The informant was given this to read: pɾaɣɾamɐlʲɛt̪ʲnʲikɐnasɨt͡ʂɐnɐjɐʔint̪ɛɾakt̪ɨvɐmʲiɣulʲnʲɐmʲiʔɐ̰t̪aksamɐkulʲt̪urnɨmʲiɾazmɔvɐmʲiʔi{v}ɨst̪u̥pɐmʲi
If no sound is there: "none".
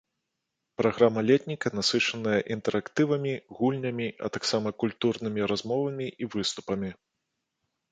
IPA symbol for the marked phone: v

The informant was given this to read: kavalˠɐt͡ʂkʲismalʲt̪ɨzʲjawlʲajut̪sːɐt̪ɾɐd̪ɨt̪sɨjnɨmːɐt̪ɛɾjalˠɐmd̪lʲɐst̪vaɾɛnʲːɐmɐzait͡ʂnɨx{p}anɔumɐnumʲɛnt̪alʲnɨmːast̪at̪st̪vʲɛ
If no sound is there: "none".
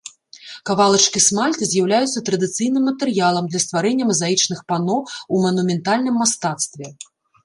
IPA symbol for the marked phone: p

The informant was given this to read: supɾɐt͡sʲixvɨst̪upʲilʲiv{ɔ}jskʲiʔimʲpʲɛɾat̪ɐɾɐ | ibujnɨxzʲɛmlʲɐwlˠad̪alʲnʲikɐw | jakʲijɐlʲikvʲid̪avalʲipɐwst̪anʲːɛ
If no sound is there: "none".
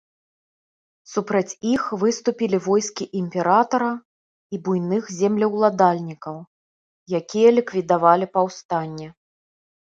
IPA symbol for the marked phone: ɔ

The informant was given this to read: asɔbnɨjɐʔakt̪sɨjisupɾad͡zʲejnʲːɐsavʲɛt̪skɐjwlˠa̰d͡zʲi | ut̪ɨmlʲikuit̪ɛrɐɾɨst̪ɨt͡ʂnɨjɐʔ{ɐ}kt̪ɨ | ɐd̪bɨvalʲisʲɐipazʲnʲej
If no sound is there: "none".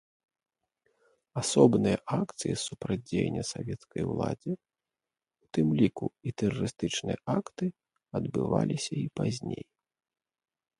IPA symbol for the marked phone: a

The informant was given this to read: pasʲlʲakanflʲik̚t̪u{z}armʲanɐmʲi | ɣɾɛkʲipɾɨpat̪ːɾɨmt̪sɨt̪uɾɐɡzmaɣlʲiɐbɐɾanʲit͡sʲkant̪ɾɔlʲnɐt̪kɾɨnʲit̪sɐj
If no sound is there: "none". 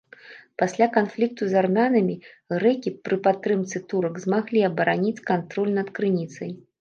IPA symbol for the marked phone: z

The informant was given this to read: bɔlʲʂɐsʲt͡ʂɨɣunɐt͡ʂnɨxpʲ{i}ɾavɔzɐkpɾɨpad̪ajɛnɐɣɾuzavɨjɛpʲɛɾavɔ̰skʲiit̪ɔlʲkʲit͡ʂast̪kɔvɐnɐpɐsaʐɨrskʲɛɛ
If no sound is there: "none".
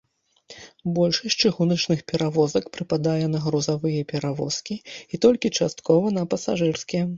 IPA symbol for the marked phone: ɛ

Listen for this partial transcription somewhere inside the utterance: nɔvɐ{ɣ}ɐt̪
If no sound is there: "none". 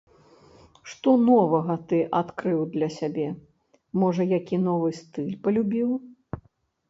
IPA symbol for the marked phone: ɣ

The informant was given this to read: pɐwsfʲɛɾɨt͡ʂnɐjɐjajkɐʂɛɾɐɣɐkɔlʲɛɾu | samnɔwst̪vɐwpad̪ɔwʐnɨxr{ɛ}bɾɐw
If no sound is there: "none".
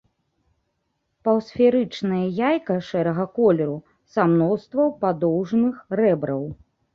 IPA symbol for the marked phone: ɛ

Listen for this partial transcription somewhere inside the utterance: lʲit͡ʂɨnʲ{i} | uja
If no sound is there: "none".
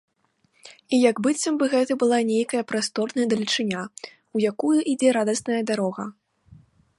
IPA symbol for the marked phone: a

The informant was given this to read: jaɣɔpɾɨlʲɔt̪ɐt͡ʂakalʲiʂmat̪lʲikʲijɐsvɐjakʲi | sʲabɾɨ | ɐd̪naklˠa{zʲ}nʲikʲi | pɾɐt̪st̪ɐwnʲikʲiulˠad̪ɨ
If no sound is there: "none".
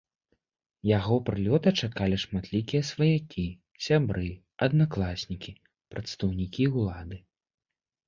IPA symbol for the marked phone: sʲ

